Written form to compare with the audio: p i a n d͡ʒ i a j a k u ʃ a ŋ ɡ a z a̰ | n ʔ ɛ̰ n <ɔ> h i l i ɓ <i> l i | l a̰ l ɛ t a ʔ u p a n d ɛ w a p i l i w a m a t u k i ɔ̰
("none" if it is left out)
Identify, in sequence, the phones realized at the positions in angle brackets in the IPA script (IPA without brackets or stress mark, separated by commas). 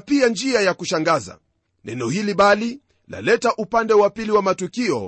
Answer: ɔ, a